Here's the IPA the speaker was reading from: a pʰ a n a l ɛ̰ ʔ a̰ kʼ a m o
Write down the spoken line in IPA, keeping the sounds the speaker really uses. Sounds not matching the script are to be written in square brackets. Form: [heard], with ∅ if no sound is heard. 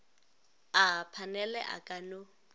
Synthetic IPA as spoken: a pʰ a n [ɛ] l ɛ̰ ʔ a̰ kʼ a [n] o